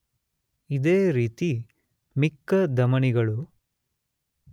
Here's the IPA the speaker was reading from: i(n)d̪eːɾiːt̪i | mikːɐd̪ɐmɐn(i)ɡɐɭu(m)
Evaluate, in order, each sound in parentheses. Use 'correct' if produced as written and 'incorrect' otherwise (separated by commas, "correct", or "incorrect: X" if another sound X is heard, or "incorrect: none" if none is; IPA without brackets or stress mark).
incorrect: none, correct, incorrect: none